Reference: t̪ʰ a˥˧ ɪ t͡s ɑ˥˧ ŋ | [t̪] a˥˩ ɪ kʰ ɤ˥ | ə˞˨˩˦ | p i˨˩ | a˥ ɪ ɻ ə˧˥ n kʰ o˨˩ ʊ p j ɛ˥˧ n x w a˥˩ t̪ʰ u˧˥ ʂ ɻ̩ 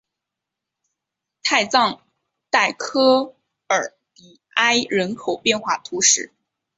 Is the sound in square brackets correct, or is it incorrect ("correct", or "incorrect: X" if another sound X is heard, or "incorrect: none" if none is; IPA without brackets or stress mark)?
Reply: correct